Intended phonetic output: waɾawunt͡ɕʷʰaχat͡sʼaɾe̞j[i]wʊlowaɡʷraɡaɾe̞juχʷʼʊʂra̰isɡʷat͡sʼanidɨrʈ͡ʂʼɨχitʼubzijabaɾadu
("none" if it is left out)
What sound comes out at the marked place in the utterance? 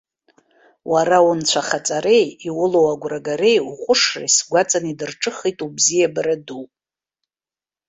i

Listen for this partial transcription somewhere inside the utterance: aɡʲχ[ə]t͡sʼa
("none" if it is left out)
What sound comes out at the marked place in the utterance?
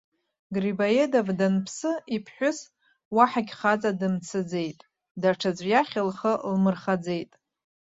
a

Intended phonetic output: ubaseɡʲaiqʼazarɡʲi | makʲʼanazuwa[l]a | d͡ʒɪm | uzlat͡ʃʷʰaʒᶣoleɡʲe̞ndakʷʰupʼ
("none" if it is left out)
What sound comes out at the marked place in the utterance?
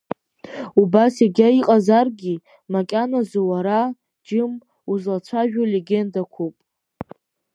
ɾ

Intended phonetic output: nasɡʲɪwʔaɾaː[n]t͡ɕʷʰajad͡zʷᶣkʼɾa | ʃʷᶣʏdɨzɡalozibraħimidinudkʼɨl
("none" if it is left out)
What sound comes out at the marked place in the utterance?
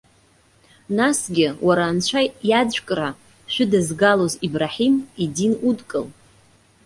n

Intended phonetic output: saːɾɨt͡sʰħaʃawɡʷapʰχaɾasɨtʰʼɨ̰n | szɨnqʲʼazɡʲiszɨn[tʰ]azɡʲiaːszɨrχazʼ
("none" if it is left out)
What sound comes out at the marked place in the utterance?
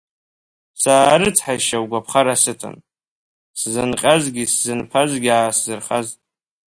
pʰ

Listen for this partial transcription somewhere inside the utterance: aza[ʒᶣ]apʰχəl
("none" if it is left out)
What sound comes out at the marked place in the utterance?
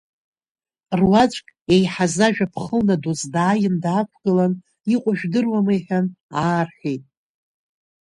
ʒᶣ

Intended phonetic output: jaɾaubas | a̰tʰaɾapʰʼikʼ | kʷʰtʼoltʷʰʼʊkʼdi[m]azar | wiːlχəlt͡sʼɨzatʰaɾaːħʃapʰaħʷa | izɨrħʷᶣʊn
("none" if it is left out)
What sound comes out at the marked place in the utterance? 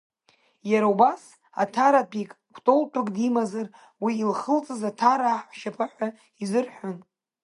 m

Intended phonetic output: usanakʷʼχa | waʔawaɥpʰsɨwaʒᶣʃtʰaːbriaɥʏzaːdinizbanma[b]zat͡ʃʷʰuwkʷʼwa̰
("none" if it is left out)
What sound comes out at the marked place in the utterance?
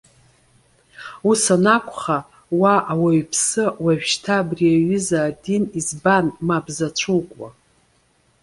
b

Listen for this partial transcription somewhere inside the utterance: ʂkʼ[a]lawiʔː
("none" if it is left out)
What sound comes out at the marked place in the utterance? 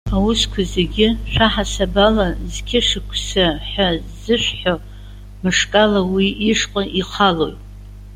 a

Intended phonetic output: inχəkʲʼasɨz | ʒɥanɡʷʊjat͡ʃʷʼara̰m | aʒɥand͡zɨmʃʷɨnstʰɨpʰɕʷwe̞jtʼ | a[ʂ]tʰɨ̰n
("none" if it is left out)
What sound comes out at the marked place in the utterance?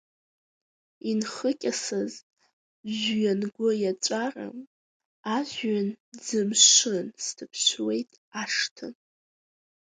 ʂ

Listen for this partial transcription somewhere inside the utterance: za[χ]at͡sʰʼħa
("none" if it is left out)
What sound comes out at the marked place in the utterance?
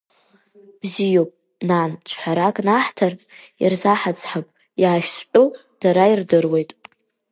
ħ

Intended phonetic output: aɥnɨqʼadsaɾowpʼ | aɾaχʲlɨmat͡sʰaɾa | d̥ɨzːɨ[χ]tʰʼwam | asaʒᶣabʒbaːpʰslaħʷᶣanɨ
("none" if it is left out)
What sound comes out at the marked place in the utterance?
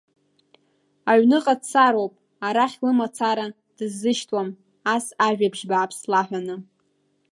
ʃ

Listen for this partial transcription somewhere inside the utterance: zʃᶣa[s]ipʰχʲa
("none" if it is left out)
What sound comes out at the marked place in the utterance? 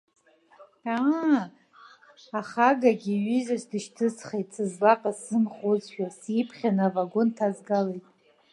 s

